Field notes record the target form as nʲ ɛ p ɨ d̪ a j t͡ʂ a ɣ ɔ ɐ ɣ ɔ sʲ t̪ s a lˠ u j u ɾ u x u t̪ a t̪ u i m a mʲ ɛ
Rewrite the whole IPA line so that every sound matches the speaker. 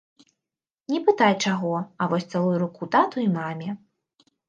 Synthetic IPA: nʲ ɛ p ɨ t̪ a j t͡ʂ a ɣ ɔ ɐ v ɔ sʲ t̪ s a lˠ u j u ɾ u k u t̪ a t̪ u i m a mʲ ɛ